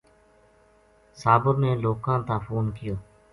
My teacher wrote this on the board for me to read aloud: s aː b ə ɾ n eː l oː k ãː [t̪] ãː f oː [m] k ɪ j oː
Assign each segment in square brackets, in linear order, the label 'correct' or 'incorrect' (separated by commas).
correct, incorrect